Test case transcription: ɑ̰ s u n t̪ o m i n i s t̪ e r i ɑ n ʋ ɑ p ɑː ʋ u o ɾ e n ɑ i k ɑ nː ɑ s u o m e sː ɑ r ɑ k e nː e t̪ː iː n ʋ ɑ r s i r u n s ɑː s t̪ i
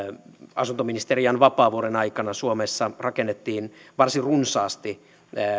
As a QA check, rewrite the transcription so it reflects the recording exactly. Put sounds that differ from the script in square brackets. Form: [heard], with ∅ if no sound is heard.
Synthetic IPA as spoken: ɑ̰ s u n t̪ o m i n i s t̪ e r i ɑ n ʋ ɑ p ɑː ʋ u o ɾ e n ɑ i k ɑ [n] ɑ s u o m e sː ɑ r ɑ k e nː e t̪ː iː n ʋ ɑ r s i r u n s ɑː s t̪ i